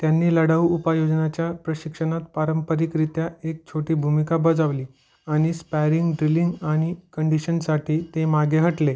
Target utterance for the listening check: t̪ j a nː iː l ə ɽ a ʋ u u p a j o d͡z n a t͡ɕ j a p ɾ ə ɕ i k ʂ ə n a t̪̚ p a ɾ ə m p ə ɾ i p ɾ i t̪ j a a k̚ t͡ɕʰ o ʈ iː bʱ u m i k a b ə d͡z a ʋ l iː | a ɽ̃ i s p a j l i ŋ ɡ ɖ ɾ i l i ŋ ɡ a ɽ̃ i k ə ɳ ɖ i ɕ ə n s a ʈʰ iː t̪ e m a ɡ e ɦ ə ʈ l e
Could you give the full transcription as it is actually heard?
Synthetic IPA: t̪ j a nː iː l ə ɽ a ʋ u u p a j o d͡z n a t͡ɕ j a p ɾ ə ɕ i k ʂ ə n a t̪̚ p a ɾ ə m p ə ɾ i k ɾ i t̪ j a e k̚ t͡ɕʰ o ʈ iː bʱ u m i k a b ə d͡z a ʋ l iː | a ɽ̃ i s p a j ɾ i ŋ ɡ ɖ ɾ i l i ŋ ɡ a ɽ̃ i k ə ɳ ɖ i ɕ ə n s a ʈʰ iː t̪ e m a ɡ e ɦ ə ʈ l e